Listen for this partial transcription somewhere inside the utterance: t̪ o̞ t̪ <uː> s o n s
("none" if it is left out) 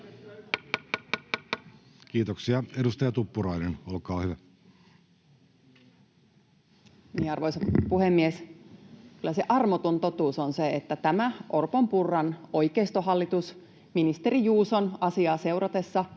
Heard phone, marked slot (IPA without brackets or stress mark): uː